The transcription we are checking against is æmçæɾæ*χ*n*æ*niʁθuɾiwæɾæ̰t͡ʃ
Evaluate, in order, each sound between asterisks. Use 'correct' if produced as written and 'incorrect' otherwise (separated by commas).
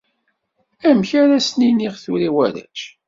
incorrect, incorrect